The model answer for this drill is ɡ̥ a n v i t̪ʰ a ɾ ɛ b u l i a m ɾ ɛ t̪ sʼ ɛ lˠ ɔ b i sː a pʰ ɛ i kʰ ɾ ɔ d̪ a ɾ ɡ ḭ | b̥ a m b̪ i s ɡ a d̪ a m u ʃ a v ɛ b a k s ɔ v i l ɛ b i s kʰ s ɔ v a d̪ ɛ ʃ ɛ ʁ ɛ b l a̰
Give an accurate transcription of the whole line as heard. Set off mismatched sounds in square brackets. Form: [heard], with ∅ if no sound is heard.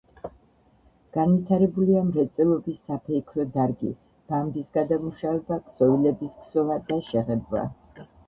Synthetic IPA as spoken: ɡ̥ a n v i t̪ʰ a ɾ ɛ b u l i a m ɾ ɛ t̪ sʼ ɛ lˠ ɔ b i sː a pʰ ɛ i kʰ ɾ ɔ d̪ a ɾ ɡ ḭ | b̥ a m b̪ i s ɡ a d̪ a m u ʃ a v ɛ b a k s ɔ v i l ɛ b i s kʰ s ɔ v a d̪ [a] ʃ ɛ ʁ ɛ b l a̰